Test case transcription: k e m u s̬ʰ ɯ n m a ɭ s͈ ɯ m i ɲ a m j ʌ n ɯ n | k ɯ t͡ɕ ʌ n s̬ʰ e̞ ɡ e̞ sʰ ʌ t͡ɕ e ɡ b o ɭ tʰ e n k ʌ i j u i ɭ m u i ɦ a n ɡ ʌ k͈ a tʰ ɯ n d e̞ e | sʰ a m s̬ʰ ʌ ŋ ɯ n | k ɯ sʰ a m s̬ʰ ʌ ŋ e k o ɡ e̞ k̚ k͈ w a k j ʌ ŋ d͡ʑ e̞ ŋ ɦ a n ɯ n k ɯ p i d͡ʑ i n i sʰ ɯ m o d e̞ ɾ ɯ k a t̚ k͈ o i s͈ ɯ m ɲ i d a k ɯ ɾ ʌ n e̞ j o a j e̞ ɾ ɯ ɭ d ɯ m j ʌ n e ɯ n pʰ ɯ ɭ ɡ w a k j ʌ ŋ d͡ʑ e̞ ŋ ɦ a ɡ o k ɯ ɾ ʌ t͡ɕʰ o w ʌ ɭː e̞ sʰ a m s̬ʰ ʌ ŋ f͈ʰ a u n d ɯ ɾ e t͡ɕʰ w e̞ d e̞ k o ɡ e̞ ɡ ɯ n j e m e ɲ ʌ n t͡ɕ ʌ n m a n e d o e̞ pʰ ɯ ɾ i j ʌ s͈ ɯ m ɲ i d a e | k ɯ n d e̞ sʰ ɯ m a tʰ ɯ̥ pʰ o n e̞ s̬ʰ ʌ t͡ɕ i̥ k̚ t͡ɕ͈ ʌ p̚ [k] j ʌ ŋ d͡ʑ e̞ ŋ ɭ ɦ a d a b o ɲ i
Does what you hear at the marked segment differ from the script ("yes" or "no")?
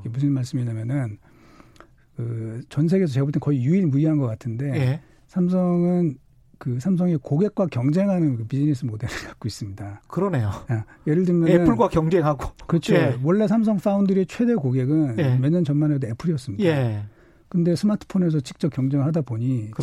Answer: no